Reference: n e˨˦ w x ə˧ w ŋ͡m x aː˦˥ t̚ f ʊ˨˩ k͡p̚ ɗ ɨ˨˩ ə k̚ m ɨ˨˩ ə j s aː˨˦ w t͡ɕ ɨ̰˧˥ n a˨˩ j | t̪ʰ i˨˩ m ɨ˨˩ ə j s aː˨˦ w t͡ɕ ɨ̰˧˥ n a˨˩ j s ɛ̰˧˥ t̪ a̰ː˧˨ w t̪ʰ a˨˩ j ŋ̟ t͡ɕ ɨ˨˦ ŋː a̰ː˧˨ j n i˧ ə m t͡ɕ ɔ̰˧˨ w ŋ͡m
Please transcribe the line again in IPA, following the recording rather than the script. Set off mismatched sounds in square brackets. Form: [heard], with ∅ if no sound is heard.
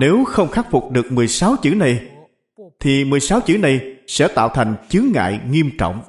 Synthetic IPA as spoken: n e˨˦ w x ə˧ w ŋ͡m x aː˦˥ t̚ f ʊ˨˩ k͡p̚ ɗ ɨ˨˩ ə k̚ m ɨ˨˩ ə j s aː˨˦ w t͡ɕ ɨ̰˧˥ n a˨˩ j | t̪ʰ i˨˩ m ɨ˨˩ ə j s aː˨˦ w t͡ɕ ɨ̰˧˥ n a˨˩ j s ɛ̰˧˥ t̪ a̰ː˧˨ w t̪ʰ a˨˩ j ŋ̟ t͡ɕ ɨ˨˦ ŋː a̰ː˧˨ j [ŋ] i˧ ə m t͡ɕ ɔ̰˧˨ w ŋ͡m